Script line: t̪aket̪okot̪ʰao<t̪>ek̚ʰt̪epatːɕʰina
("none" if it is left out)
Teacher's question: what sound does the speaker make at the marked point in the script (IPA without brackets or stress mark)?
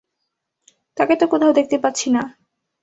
d̪